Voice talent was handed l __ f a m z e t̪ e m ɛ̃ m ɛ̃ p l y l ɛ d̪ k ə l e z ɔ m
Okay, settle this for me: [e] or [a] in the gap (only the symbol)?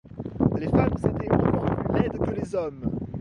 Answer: e